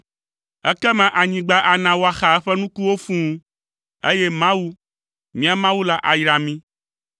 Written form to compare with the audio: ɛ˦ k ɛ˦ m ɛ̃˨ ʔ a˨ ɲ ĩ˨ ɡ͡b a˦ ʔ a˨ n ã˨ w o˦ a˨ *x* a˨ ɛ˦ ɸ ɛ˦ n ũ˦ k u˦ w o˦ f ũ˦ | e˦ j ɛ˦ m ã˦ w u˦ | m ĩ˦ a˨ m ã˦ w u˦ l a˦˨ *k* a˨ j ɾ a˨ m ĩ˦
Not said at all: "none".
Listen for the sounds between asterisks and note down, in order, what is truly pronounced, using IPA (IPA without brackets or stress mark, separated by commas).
x, ʔ